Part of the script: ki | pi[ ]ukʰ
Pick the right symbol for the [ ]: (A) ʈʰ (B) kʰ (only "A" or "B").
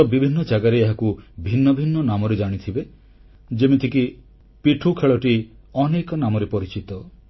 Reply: A